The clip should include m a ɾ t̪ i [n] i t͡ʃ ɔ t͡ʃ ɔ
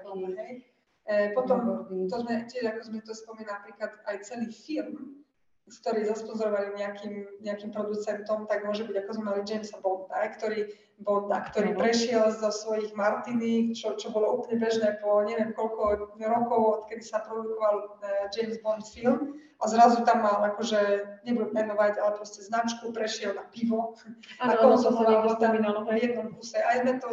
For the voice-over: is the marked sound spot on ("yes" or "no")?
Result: yes